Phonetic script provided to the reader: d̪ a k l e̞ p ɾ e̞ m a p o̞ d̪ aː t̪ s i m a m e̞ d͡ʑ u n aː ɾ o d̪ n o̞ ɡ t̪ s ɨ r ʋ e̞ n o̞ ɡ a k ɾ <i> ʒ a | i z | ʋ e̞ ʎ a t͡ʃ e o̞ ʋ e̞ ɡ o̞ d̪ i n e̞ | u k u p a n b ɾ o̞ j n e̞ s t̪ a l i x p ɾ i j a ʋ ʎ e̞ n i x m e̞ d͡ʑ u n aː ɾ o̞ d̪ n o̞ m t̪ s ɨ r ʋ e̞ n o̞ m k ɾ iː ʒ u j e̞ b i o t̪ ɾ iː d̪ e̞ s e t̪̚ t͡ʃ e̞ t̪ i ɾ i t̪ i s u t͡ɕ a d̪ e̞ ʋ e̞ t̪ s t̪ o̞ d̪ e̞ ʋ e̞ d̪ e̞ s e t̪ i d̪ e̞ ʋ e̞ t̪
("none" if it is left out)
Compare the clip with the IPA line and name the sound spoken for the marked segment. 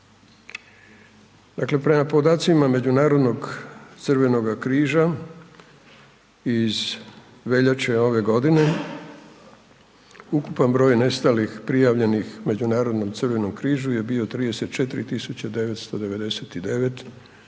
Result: iː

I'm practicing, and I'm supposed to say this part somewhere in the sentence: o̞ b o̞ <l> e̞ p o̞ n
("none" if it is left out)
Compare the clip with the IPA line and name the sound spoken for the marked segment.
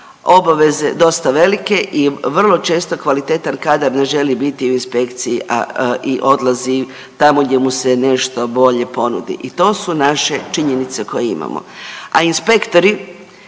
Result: ʎ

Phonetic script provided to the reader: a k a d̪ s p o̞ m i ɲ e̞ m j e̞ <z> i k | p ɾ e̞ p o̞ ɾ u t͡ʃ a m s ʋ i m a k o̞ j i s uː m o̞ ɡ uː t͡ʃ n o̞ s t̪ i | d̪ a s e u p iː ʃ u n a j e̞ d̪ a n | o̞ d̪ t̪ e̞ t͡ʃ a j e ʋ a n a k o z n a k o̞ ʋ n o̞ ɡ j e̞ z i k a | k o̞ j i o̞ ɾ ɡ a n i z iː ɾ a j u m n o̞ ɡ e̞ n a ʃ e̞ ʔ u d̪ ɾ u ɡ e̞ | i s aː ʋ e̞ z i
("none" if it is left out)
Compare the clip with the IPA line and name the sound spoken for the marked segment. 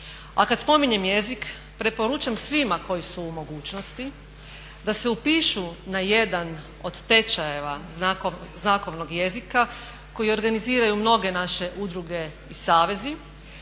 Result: z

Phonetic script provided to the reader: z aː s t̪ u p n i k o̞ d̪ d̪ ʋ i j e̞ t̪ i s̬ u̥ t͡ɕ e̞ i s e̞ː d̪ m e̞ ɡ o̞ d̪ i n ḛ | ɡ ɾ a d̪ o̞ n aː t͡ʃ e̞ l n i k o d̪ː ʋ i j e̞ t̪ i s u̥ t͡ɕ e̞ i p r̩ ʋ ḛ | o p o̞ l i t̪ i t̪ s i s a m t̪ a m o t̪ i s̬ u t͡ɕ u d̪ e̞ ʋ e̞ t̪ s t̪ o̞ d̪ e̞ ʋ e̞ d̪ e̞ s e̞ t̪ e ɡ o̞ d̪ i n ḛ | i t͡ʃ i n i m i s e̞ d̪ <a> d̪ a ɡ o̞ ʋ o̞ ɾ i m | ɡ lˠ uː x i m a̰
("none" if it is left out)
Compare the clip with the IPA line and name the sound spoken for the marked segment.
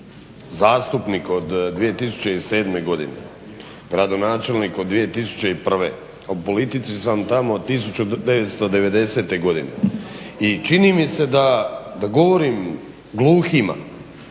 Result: a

